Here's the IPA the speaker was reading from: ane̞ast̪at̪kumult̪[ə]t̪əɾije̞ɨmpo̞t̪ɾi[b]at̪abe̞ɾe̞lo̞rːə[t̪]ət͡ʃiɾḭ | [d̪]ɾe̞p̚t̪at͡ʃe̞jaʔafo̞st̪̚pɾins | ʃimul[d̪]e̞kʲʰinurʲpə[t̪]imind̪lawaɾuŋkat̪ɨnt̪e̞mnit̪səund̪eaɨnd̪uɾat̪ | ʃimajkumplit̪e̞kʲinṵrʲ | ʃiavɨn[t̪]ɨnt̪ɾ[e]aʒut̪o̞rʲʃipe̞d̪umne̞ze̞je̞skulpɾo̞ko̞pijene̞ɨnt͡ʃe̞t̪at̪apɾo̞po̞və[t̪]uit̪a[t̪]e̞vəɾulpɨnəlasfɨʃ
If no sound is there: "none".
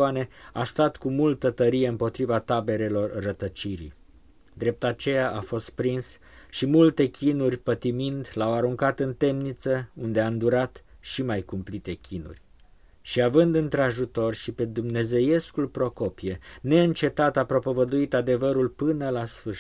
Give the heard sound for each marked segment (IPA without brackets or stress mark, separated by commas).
ə, v, t̪, d̪, t̪, t̪, d̪, e, d̪, d̪